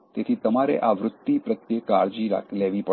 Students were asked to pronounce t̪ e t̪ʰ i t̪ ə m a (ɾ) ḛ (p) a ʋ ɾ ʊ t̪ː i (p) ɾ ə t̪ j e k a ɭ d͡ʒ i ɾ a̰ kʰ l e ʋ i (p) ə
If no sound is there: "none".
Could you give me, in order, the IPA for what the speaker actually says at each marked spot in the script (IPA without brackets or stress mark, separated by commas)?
ɾ, ʔ, p, p